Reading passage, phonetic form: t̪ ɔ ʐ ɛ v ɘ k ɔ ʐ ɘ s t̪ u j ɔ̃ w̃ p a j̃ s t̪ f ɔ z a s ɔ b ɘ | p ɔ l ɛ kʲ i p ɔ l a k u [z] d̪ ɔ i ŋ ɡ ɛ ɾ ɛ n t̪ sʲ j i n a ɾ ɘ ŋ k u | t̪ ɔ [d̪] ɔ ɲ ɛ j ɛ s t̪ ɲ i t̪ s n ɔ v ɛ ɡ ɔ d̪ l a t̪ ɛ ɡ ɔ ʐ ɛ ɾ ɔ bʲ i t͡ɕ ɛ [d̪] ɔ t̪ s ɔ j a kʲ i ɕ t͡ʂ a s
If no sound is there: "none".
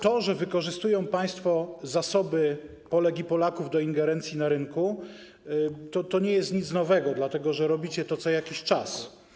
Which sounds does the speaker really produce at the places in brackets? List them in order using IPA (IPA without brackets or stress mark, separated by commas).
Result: v, t̪, t̪